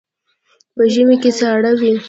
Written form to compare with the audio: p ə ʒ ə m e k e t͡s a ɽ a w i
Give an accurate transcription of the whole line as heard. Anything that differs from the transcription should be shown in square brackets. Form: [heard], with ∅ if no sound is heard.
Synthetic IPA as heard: p ə ʒ ə m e k e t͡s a ɽ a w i